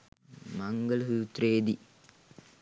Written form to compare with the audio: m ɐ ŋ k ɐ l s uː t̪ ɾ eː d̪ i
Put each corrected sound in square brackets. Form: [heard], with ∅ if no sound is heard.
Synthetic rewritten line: m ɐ ŋ [ɡ] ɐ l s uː t̪ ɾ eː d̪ i

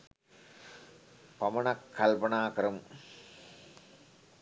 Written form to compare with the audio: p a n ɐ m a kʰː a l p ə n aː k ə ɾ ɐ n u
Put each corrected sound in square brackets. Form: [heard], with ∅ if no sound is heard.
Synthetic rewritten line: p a [m] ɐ [n] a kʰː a l p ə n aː k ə ɾ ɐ [m] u

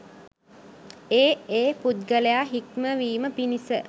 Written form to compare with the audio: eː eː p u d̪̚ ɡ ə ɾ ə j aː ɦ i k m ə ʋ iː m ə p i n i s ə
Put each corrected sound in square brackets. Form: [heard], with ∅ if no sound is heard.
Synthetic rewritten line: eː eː p u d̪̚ ɡ ə [l] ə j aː ɦ i k m ə ʋ iː m ə p i n i s ə

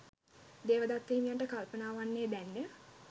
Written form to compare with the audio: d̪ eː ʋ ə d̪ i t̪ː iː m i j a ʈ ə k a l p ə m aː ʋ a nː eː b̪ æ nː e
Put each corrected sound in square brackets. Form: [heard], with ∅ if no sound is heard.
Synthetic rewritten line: d̪ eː ʋ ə d̪ [a] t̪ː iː m i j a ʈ ə k a l p ə [n] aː ʋ a nː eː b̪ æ nː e

